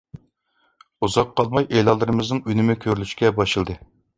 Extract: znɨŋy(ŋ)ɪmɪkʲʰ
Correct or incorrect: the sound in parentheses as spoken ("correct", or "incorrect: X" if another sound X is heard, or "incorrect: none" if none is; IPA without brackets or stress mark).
incorrect: n